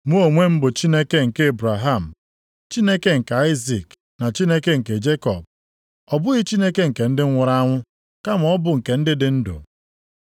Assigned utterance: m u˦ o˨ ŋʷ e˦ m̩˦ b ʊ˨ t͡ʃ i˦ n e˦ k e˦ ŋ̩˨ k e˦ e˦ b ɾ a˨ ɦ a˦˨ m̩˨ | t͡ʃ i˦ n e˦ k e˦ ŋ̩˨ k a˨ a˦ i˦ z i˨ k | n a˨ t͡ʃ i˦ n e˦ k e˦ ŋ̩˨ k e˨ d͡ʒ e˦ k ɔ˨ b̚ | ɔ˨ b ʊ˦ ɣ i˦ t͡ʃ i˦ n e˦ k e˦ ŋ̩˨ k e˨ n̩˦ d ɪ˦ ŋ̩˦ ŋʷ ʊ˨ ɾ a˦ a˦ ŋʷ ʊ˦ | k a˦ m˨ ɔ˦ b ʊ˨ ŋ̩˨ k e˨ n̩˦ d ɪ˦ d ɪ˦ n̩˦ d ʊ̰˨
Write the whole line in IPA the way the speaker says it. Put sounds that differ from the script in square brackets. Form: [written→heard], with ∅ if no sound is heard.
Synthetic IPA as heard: m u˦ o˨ ŋʷ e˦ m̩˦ b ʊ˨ t͡ʃ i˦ n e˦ k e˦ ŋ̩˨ k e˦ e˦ b ɾ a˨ ɦ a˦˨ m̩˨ | t͡ʃ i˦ n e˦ k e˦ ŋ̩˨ k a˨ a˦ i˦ z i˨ k | n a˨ t͡ʃ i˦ n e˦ k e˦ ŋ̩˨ k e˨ d͡ʒ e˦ k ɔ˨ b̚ | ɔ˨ b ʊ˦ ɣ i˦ t͡ʃ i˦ n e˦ k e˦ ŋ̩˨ k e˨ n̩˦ d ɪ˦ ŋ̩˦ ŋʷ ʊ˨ ɾ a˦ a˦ ŋʷ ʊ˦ | k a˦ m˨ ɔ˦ b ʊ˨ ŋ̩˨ k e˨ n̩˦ d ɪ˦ d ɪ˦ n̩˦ d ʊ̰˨